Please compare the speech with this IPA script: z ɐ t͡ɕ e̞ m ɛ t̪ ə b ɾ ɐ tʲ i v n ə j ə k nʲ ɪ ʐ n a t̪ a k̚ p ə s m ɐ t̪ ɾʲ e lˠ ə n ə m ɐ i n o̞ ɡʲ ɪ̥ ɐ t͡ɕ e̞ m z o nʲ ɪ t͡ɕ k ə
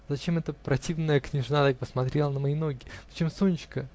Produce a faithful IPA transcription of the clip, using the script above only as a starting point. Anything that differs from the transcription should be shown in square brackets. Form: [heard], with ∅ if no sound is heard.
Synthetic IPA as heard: z ɐ t͡ɕ e̞ m ɛ t̪ ə [p] ɾ ɐ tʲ i v n ə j ə k nʲ ɪ ʐ n a t̪ a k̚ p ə s m ɐ t̪ ɾʲ e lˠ ə n ə m ɐ i n o̞ ɡʲ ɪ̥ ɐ t͡ɕ e̞ m [s] o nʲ ɪ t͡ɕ k ə